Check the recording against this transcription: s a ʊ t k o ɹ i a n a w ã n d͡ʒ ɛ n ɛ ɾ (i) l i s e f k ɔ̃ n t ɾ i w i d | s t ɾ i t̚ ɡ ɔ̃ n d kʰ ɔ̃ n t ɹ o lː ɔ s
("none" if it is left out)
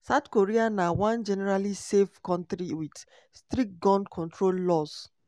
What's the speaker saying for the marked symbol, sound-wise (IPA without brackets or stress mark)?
a